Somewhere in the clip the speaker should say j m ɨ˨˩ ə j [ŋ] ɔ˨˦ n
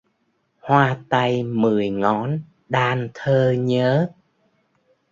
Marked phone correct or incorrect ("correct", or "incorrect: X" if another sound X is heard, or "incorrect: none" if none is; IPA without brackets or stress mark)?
correct